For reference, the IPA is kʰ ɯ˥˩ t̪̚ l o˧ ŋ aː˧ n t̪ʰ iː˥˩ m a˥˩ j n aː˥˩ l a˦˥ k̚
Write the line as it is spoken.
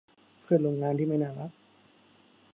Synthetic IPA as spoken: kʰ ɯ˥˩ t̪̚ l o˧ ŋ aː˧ n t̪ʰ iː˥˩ m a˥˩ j n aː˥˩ l a˦˥ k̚